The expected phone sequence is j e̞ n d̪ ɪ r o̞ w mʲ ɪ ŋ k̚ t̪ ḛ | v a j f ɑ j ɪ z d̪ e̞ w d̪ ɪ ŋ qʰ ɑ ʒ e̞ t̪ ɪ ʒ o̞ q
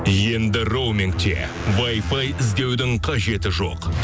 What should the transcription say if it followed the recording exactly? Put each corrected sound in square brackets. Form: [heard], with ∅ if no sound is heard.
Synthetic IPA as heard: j e̞ n d̪ ɪ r o̞ w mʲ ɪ ŋ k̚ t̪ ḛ | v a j f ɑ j ɪ z d̪ e̞ w d̪ ɪ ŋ qʰ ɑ ʒ e̞ t̪ ɪ ʒ o̞ q